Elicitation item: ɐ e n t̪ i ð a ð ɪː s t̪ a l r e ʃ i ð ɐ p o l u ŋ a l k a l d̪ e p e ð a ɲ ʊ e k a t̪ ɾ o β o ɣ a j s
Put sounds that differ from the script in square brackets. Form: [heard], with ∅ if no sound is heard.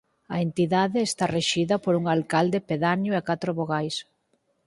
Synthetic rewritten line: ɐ e n t̪ i ð a ð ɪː s t̪ a [∅] r e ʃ i ð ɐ p o [ɾ] u ŋ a l k a l d̪ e p e ð a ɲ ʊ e k a t̪ ɾ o β o ɣ a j s